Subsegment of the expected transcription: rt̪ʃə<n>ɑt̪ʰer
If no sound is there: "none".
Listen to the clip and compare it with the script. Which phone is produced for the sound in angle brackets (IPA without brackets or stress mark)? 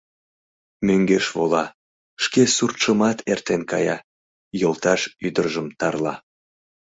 m